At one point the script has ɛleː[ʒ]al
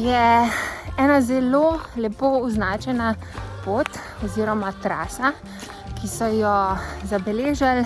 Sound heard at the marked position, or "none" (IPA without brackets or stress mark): ʒ